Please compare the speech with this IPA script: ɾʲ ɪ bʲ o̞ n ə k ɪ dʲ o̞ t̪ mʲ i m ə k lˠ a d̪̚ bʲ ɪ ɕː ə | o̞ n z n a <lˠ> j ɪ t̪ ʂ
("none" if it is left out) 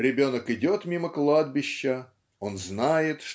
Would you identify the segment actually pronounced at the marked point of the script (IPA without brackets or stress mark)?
none